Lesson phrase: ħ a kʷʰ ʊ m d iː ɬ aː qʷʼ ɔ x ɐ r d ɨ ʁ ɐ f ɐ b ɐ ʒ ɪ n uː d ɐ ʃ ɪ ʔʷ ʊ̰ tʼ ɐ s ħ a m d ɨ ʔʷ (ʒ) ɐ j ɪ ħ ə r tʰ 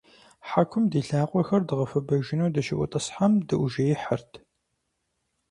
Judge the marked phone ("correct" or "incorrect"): correct